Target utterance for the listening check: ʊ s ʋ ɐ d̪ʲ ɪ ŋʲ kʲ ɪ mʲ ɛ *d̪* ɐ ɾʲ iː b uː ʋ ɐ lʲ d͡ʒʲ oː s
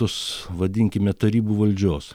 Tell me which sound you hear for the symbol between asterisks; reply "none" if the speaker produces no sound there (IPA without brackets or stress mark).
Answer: t̪